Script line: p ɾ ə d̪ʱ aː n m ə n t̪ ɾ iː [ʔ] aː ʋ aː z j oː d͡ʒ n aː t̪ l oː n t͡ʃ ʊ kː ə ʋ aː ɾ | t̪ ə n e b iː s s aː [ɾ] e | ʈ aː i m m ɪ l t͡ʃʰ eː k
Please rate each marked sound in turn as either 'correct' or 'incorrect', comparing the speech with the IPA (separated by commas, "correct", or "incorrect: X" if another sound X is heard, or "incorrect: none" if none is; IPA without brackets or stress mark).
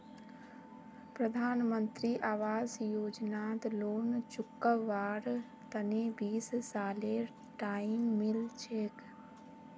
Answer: correct, incorrect: l